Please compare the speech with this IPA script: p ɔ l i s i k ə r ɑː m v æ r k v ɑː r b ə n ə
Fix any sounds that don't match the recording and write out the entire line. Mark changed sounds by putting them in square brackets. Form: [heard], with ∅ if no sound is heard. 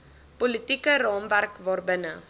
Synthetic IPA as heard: p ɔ l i [t] i k ə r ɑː m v æ r k v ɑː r b ə n ə